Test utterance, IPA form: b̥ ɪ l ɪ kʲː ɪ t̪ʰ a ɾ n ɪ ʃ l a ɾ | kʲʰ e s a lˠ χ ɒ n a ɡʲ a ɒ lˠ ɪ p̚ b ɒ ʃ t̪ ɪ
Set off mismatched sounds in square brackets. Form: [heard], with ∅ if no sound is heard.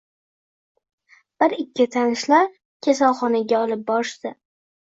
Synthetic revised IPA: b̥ ɪ [ɾ] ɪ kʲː ɪ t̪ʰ a [∅] n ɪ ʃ l a ɾ | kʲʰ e s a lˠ χ ɒ n a ɡʲ a ɒ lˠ ɪ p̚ b ɒ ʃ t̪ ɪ